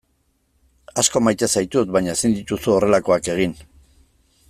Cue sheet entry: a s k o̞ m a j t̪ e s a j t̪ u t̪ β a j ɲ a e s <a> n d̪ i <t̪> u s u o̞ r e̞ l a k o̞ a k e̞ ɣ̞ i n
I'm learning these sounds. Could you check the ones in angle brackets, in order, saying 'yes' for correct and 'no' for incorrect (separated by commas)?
no, yes